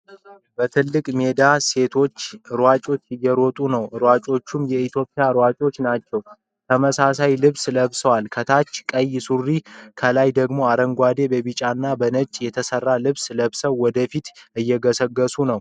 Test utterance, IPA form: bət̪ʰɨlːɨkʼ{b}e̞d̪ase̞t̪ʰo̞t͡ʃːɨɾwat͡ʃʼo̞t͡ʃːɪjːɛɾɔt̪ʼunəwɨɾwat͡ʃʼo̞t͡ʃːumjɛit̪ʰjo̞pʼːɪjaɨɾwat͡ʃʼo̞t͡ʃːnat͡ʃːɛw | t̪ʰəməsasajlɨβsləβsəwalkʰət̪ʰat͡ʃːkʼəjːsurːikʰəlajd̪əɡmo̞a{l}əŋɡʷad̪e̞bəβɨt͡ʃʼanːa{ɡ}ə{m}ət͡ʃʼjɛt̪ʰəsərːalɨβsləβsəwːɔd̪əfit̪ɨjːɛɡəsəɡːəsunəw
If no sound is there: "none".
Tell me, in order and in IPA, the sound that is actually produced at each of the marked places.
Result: m, ɾ, b, n

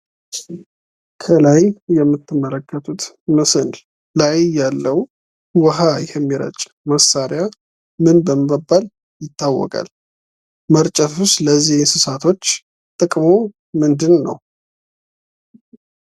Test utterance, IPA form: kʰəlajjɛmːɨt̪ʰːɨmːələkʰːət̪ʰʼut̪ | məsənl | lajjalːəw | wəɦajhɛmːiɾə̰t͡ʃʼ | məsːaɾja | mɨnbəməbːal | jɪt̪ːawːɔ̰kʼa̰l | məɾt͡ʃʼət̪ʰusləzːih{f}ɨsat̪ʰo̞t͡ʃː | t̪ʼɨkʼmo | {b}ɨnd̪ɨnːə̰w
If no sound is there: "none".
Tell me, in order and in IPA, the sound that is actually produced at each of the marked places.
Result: s, m

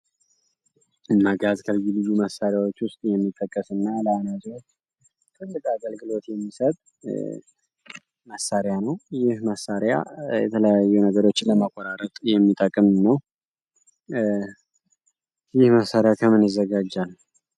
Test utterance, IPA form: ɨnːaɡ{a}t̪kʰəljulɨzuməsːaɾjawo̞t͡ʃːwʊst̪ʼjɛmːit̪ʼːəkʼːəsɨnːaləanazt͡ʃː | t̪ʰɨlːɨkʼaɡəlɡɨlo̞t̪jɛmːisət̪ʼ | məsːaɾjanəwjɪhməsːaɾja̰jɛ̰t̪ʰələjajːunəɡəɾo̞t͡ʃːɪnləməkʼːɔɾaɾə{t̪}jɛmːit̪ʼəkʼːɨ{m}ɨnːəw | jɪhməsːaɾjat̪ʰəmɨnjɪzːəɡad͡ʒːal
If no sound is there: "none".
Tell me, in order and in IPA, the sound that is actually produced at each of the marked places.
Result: a, t̪ʼ, m

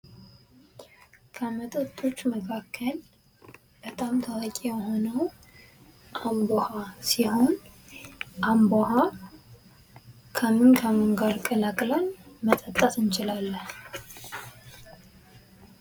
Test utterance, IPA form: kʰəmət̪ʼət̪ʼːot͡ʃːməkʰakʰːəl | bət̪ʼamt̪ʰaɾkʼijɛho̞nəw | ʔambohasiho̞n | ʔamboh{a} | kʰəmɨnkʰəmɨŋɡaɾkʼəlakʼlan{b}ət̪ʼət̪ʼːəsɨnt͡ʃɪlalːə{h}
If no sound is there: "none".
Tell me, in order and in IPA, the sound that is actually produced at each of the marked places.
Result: a, m, h

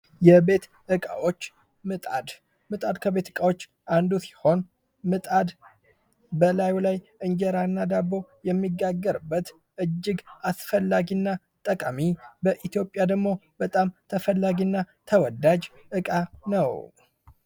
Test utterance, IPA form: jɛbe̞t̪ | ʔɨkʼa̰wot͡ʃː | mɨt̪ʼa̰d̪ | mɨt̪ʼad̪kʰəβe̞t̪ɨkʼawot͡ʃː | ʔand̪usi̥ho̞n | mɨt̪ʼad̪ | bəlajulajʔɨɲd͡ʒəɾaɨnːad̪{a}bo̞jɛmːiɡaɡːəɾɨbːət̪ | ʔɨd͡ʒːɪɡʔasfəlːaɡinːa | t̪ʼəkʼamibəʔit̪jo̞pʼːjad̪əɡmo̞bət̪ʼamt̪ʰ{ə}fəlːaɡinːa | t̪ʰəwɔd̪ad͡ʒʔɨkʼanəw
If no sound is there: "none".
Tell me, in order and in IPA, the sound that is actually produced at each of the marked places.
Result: a, ə

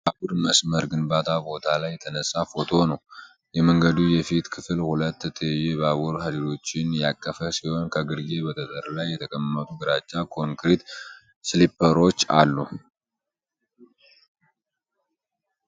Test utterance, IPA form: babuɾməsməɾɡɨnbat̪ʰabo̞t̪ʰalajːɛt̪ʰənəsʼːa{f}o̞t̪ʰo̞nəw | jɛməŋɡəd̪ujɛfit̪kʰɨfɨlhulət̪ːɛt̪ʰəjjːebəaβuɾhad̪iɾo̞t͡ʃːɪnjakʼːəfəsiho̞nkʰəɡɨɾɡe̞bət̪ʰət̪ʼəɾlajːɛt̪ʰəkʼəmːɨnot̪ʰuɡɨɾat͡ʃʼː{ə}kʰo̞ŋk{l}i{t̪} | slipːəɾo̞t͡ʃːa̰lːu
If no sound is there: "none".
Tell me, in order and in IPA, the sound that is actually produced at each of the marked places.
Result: f, a, ɾ, t̪

